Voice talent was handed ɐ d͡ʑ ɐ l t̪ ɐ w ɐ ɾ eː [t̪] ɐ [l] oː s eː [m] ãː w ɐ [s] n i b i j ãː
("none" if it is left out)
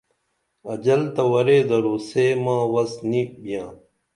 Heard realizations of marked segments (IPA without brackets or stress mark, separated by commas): d̪, ɾ, m, s